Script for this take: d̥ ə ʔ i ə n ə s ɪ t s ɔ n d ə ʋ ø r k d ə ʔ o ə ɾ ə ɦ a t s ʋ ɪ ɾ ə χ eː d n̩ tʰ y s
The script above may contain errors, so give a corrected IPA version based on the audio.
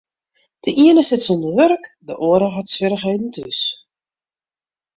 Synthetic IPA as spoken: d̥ ə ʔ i ə n ə s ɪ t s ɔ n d ə ʋ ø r k d ə ʔ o ə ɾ ə ɦ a t s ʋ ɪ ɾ ə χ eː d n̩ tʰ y s